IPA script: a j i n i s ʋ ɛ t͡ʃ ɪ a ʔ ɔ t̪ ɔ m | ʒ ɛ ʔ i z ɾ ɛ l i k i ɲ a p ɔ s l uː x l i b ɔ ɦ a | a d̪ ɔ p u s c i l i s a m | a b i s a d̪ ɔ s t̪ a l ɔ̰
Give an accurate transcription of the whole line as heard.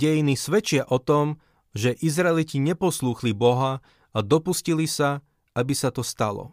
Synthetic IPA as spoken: ɛ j i n i s ʋ ɛ t͡ʃ ɪ a ʔ ɔ t̪ ɔ m | ʒ ɛ ʔ i z ɾ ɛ l i c i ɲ ɛ p ɔ s l uː x l i b ɔ ɦ a | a d̪ ɔ p u s c i l i s a | a b i s a t̪ ɔ s t̪ a l ɔ̰